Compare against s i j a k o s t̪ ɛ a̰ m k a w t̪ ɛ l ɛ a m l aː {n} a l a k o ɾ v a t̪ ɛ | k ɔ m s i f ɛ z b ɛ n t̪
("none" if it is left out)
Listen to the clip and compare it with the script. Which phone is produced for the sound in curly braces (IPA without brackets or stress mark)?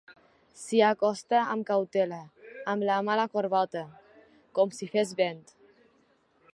m